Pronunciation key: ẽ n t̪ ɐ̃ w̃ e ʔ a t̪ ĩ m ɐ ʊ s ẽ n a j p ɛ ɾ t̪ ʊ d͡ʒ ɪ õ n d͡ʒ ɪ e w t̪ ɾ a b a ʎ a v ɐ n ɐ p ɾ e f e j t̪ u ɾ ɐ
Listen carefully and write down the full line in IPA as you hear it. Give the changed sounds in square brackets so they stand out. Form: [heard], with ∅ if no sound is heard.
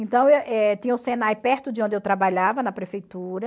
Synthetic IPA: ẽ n t̪ ɐ̃ w̃ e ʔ [ɛ] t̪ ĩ [ɲ] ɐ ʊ s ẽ n a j p ɛ ɾ t̪ ʊ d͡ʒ ɪ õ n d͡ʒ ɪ e w t̪ ɾ a b a ʎ a v ɐ n ɐ p ɾ e f e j t̪ u ɾ ɐ